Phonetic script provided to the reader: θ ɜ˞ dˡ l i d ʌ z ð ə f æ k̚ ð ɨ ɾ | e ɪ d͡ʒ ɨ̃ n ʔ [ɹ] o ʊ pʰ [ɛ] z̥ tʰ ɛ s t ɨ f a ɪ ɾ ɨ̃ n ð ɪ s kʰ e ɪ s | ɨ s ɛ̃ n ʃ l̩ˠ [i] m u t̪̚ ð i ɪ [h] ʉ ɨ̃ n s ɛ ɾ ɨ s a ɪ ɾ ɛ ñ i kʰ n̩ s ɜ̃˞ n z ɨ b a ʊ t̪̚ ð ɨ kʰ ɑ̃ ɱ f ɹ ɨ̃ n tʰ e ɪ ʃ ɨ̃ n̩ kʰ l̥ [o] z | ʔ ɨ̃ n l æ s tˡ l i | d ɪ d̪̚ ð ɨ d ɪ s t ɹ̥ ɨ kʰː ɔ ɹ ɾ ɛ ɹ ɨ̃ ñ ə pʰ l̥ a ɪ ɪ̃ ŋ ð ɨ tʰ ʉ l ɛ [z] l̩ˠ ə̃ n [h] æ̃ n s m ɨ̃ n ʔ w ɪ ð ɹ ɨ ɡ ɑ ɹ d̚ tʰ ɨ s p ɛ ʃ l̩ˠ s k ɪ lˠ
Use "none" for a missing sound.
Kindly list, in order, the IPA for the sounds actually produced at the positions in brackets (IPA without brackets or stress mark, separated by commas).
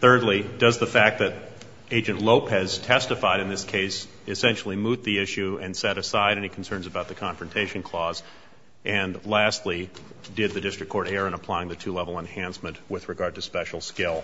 l, ɛ, i, ʃ, ɔ, v, h